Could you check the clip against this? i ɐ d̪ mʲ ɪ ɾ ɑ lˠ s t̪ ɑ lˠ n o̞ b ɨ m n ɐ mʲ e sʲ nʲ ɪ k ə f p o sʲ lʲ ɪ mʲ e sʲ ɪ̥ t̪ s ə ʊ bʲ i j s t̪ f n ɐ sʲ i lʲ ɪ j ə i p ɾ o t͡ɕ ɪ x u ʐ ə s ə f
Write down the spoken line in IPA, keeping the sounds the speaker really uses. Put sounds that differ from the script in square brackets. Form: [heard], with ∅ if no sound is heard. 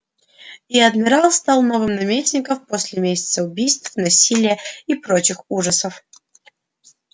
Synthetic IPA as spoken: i ɐ d̪ mʲ ɪ ɾ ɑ lˠ s t̪ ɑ lˠ n o̞ [v] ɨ m n ɐ mʲ e sʲ nʲ ɪ k ə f p o sʲ lʲ ɪ mʲ e sʲ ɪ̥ t̪ s ə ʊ bʲ i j s t̪ f n ɐ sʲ i lʲ ɪ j ə i p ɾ o t͡ɕ ɪ x u ʐ ə s ə f